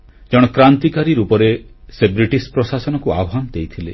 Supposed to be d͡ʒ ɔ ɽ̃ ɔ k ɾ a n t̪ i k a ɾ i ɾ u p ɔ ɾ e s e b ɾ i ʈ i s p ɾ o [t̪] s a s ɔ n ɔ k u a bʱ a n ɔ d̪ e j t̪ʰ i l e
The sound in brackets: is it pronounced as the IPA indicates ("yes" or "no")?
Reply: no